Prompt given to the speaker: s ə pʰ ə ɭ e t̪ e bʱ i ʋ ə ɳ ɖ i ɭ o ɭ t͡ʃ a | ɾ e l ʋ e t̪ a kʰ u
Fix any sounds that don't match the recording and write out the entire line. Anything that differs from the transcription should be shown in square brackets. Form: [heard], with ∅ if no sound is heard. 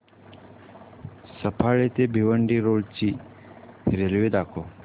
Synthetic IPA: s ə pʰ [a] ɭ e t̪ e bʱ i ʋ ə ɳ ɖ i [ɾ] o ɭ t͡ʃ [i] | ɾ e l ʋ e [d̪] a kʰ [o]